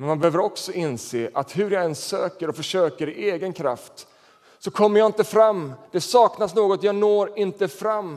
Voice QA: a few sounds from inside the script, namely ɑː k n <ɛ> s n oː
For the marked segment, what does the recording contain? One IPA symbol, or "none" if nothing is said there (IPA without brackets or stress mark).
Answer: a